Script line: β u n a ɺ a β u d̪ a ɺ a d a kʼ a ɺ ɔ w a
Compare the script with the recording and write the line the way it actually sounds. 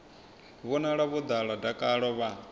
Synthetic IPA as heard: β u n a ɺ a β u d̪ a ɺ a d a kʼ a ɺ ɔ β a